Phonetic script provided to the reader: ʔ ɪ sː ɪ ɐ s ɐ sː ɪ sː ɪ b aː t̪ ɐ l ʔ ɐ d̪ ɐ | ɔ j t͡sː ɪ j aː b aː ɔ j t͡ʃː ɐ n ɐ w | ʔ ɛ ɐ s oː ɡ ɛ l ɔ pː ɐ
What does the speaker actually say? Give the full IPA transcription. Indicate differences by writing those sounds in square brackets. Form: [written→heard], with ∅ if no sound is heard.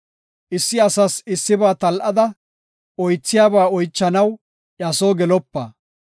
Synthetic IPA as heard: ʔ ɪ sː ɪ ɐ s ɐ [sː→s] ɪ sː ɪ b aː t̪ ɐ l ʔ ɐ d̪ ɐ | ɔ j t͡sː ɪ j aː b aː ɔ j t͡ʃː ɐ n ɐ w | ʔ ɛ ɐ s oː ɡ ɛ l ɔ pː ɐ